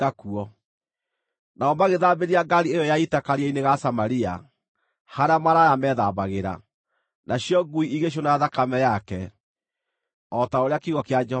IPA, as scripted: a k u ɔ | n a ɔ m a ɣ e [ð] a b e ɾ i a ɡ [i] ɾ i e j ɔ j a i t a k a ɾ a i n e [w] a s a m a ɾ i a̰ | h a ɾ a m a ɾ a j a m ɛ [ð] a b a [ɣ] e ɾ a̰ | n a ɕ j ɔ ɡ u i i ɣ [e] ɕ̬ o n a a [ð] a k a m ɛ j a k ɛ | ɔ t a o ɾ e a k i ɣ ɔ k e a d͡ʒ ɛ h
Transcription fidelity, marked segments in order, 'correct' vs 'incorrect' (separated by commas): correct, incorrect, incorrect, correct, correct, correct, correct